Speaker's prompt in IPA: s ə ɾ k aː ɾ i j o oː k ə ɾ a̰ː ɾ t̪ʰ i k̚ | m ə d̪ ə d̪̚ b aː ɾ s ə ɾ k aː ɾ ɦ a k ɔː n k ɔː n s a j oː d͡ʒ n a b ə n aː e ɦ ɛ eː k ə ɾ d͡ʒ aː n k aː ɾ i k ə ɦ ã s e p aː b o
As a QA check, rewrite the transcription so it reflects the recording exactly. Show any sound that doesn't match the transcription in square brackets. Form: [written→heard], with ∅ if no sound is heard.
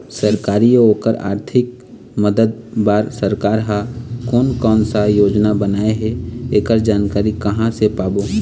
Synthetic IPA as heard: s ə ɾ k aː ɾ i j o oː k ə ɾ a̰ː ɾ t̪ʰ [i→ɪ] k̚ | m ə d̪ ə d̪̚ b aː ɾ s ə ɾ k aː ɾ ɦ a k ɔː n k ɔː n s a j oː d͡ʒ n a b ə n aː e ɦ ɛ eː k ə ɾ d͡ʒ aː n k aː ɾ i k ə ɦ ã s e p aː b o